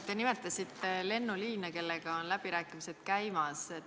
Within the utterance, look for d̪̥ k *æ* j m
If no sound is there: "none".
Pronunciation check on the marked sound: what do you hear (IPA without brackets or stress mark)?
æ